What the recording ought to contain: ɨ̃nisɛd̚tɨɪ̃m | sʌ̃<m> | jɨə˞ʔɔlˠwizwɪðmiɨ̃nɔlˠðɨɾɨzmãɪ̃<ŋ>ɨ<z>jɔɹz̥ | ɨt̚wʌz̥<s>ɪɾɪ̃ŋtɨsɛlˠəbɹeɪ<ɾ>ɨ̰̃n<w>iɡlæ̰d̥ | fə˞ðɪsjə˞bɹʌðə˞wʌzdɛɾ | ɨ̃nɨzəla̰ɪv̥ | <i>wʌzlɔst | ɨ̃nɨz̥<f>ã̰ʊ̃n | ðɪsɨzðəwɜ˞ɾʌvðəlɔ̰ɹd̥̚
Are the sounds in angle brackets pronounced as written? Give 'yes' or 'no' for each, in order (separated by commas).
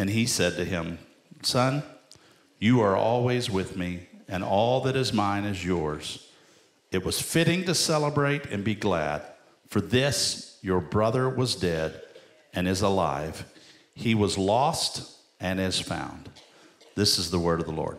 no, no, yes, no, yes, no, yes, yes